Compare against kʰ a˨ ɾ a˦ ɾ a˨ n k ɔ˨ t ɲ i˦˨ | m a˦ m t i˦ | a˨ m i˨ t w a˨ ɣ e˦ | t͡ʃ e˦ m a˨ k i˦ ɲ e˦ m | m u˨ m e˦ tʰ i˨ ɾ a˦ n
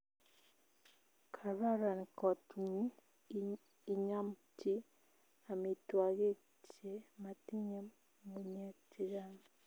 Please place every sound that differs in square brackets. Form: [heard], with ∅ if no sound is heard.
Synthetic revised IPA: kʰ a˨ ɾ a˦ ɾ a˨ n k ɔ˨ t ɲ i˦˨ | [ɲ] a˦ m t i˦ | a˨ m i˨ t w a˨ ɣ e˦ | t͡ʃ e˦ m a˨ [t] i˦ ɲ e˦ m | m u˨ [ɲ] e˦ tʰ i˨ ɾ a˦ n